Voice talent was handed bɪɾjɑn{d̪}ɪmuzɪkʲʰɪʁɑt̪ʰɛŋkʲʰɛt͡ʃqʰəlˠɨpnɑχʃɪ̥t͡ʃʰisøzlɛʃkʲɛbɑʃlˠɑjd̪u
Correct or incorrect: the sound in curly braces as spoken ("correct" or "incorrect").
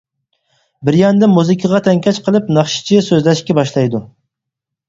correct